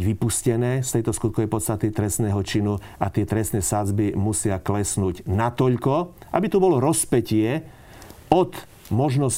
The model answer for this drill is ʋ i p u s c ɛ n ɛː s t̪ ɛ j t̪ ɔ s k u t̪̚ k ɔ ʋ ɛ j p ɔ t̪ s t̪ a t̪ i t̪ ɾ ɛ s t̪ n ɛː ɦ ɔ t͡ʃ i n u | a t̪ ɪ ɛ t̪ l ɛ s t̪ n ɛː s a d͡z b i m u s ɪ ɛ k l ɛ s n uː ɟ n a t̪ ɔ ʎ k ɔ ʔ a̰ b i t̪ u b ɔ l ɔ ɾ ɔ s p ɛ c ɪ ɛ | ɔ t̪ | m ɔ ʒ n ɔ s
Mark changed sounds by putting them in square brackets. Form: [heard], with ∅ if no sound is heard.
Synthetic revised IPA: ʋ i p u s c ɛ n ɛː s t̪ ɛ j t̪ ɔ s k u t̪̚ k ɔ ʋ ɛ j p ɔ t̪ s t̪ a t̪ i t̪ ɾ ɛ s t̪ n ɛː ɦ ɔ t͡ʃ i n u | a t̪ ɪ ɛ t̪ [ɾ] ɛ s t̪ n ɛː s a d͡z b i m u s ɪ [a] k l ɛ s n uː ɟ n a t̪ ɔ ʎ k ɔ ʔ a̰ b i t̪ u b ɔ l ɔ ɾ ɔ s p ɛ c ɪ ɛ | ɔ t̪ | m ɔ ʒ n ɔ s